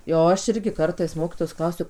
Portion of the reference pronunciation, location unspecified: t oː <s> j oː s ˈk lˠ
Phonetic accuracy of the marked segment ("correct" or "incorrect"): incorrect